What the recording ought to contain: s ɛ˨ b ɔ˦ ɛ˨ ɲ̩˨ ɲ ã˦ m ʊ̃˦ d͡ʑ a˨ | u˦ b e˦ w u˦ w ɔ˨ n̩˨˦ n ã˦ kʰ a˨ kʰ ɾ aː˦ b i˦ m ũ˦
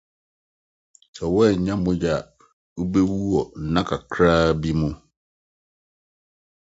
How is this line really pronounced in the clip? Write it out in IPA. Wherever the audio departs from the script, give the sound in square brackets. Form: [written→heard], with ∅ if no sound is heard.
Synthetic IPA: s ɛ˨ [b→w] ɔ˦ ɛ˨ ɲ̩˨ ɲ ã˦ m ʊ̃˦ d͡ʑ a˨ | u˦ b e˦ w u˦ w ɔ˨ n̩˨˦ n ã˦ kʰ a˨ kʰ ɾ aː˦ b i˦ m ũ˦